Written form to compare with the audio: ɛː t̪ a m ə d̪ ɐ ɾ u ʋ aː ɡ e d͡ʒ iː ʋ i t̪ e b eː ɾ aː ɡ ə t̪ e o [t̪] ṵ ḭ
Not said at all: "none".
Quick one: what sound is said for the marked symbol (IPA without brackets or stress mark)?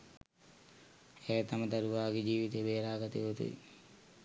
t̪